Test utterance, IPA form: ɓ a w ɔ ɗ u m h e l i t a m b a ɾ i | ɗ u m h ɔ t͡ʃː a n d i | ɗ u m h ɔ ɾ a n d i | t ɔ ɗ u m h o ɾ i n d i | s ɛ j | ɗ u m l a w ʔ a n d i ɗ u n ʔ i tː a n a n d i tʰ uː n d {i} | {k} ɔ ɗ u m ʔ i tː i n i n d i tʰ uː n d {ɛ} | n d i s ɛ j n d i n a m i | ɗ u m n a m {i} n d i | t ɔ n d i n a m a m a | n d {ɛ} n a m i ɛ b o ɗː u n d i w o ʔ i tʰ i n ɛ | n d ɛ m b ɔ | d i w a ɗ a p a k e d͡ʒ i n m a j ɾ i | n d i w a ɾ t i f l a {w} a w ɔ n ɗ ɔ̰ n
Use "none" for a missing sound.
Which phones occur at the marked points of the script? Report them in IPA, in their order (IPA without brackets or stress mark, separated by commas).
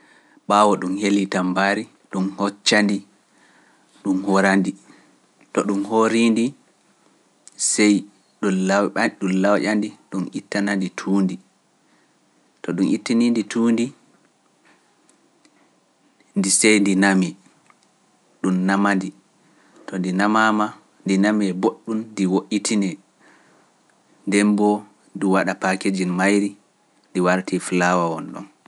i, t, i, a, i, w